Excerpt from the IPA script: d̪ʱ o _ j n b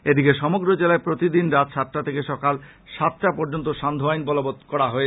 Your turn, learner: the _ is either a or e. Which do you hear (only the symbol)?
a